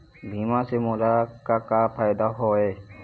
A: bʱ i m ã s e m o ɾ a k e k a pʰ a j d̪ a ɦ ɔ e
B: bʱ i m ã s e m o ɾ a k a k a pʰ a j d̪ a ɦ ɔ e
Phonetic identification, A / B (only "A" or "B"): B